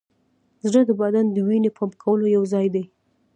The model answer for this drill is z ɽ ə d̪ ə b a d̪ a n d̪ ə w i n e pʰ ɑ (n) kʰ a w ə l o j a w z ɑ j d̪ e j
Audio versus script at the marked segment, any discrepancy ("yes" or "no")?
yes